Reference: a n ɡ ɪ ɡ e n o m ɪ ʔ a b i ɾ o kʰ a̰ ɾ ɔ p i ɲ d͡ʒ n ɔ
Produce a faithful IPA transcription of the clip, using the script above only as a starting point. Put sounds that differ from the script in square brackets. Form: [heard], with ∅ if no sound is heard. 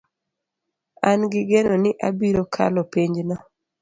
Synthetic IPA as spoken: a n ɡ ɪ ɡ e n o [n] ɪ ʔ a b i ɾ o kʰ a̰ [l] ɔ p i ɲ d͡ʒ n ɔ